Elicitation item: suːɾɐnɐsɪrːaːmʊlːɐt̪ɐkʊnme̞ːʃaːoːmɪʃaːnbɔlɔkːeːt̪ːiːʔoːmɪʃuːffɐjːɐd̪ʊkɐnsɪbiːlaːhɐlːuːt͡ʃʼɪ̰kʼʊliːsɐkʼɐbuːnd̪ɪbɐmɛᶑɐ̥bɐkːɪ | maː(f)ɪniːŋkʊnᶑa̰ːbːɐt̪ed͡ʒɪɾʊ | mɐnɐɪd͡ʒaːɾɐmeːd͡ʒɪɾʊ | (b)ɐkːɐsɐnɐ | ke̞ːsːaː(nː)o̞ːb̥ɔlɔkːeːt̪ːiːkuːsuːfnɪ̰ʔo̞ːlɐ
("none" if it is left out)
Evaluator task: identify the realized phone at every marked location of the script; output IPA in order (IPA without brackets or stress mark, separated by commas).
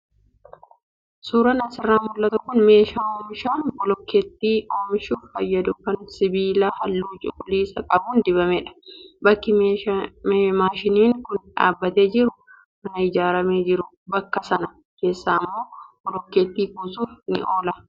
ʃ, b, mː